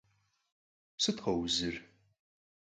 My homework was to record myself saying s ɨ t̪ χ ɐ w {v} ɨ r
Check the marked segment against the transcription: incorrect: z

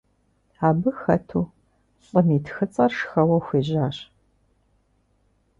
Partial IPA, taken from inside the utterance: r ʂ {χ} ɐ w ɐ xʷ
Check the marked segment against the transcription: incorrect: x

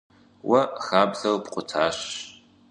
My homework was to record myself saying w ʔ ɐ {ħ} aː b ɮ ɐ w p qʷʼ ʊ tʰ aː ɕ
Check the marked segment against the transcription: incorrect: x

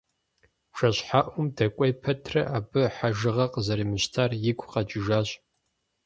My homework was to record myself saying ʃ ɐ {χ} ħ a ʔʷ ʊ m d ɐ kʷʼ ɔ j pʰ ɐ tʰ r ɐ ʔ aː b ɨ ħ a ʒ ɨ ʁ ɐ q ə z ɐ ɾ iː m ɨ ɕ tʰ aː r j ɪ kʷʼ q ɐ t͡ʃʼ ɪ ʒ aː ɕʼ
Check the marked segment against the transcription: incorrect: ɕ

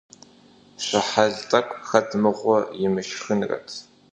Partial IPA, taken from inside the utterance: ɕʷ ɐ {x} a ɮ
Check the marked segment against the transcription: incorrect: ħ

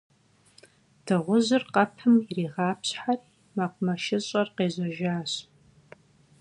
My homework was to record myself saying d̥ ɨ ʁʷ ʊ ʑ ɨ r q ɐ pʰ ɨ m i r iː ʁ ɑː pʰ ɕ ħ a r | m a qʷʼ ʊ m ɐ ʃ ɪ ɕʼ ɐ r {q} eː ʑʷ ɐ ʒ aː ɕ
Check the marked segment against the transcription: correct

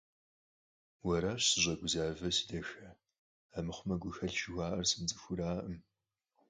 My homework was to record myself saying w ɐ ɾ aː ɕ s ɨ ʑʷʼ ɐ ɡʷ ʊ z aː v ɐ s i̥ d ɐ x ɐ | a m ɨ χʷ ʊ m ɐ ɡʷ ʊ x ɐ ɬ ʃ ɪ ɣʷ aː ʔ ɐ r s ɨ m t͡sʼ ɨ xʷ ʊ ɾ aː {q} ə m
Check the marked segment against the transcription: incorrect: ʔ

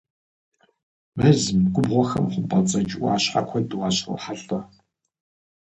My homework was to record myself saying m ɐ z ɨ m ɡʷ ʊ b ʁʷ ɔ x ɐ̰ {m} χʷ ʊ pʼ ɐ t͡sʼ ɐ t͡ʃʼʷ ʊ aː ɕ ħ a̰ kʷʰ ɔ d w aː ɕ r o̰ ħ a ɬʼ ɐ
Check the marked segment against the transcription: correct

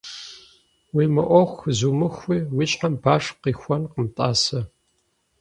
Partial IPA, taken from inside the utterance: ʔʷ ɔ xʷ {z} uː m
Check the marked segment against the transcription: correct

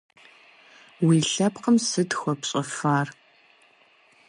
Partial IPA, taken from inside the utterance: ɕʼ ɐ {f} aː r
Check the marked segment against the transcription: correct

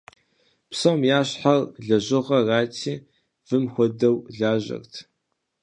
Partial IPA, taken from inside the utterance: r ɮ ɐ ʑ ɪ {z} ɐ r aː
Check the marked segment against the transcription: incorrect: ʁ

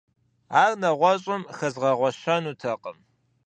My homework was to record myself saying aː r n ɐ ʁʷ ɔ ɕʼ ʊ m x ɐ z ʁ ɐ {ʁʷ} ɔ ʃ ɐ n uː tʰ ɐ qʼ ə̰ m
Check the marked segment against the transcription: correct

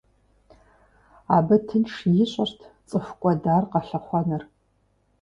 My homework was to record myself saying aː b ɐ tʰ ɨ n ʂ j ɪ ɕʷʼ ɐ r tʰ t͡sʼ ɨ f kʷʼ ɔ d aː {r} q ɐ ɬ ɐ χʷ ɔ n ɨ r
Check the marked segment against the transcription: correct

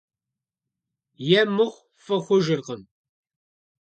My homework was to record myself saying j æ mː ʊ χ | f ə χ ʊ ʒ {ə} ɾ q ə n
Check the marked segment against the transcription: correct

